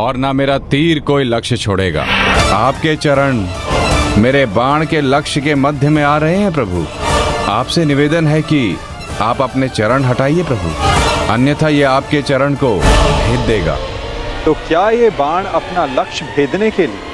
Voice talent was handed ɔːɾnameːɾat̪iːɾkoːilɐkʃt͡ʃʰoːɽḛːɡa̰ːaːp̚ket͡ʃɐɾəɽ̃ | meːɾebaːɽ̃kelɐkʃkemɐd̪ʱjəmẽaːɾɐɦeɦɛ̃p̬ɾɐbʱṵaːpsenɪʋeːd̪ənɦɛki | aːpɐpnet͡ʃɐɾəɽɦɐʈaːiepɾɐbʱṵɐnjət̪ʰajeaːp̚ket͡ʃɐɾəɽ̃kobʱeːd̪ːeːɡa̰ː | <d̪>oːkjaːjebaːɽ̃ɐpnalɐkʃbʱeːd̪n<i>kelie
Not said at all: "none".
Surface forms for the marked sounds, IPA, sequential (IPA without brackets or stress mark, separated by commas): t̪, e